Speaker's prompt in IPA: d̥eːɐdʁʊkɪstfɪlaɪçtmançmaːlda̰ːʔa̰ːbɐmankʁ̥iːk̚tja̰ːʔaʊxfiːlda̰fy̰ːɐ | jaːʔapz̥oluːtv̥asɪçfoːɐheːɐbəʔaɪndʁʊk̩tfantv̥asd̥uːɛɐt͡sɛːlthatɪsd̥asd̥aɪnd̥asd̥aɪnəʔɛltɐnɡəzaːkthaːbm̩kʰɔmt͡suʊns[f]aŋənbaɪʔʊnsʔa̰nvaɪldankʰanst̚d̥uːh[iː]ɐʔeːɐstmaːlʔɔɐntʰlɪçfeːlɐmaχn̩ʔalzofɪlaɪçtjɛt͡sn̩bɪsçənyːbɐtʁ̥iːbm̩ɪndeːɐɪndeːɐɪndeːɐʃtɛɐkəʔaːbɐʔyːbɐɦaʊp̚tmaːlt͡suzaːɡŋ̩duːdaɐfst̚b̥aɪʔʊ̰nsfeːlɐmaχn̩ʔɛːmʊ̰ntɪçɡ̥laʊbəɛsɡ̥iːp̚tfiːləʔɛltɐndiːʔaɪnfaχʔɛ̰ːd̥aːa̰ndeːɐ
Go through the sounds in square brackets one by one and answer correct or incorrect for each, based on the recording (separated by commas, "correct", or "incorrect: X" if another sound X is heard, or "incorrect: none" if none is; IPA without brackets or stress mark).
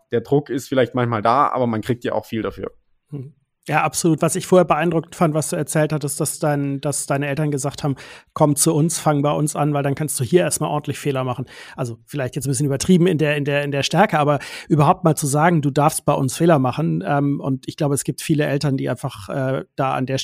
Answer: correct, correct